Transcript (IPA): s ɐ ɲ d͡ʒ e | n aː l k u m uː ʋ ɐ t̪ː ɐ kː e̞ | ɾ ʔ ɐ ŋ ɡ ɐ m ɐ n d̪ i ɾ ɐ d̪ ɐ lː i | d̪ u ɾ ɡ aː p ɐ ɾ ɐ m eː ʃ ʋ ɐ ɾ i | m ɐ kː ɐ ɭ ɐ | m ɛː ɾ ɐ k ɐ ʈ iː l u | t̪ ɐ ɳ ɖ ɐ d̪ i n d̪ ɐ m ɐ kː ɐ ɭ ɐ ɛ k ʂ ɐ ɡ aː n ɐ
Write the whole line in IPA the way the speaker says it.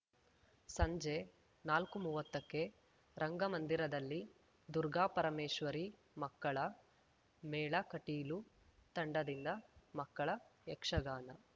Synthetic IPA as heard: s ɐ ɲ d͡ʒ e | n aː l k u m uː ʋ ɐ t̪ː ɐ kː e̞ | ɾ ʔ ɐ ŋ ɡ ɐ m ɐ n d̪ i ɾ ɐ d̪ ɐ lː i | d̪ u ɾ ɡ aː p ɐ ɾ ɐ m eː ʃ ʋ ɐ ɾ i | m ɐ kː ɐ ɭ ɐ | m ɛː ɭ ɐ k ɐ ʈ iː l u | t̪ ɐ ɳ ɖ ɐ d̪ i n d̪ ɐ m ɐ kː ɐ ɭ ɐ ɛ k ʂ ɐ ɡ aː n ɐ

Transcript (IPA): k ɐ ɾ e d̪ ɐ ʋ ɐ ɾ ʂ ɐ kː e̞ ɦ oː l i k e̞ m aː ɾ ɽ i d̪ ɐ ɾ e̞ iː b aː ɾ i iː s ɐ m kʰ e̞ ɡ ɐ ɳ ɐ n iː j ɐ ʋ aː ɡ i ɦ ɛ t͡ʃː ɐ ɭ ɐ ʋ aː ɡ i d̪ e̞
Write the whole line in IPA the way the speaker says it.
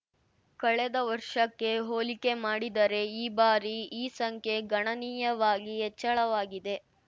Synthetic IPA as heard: k ɐ ɭ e d̪ ɐ ʋ ɐ ɾ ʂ ɐ kː e̞ ɦ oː l i k e̞ m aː ɽ i d̪ ɐ ɾ e̞ iː b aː ɾ i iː s ɐ ŋ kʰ e̞ ɡ ɐ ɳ ɐ n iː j ɐ ʋ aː ɡ i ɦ ɛ t͡ʃː ɐ ɭ ɐ ʋ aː ɡ i d̪ e̞

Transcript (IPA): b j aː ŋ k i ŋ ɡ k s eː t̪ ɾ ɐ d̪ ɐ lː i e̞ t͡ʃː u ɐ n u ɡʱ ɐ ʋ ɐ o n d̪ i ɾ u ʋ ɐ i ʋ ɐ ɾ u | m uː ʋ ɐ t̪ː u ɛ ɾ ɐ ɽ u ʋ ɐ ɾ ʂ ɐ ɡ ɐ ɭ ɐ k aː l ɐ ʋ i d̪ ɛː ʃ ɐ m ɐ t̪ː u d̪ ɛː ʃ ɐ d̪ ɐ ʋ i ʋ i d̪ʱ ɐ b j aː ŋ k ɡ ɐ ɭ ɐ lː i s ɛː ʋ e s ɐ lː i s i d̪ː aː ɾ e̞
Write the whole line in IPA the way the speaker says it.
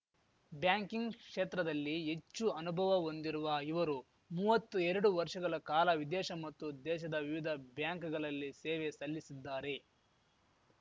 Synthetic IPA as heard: b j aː ŋ k i ŋ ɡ k ʂ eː t̪ ɾ ɐ d̪ ɐ lː i e̞ t͡ʃː u ɐ n u bʱ ɐ ʋ ɐ o n d̪ i ɾ u ʋ ɐ i ʋ ɐ ɾ u | m uː ʋ ɐ t̪ː u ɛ ɾ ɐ ɽ u ʋ ɐ ɾ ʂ ɐ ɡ ɐ ɭ ɐ k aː l ɐ ʋ i d̪ ɛː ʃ ɐ m ɐ t̪ː u d̪ ɛː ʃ ɐ d̪ ɐ ʋ i ʋ i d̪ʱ ɐ b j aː ŋ k ɡ ɐ ɭ ɐ lː i s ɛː ʋ e s ɐ lː i s i d̪ː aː ɾ e̞

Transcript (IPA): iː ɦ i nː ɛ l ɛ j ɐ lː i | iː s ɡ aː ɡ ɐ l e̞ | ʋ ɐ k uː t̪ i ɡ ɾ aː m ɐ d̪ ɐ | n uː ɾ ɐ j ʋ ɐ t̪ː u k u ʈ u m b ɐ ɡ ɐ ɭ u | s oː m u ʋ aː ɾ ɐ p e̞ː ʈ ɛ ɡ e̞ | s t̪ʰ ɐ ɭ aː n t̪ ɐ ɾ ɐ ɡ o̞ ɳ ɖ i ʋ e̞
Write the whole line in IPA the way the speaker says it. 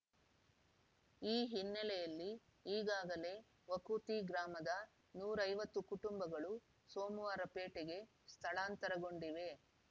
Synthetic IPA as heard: iː ɦ i nː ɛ l ɛ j ɐ lː i | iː ɡ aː ɡ ɐ l e̞ | ʋ ɐ k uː t̪ i ɡ ɾ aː m ɐ d̪ ɐ | n uː ɾ ɐ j ʋ ɐ t̪ː u k u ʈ u m b ɐ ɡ ɐ ɭ u | s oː m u ʋ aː ɾ ɐ p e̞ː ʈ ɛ ɡ e̞ | s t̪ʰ ɐ ɭ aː n t̪ ɐ ɾ ɐ ɡ o̞ ɳ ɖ i ʋ e̞

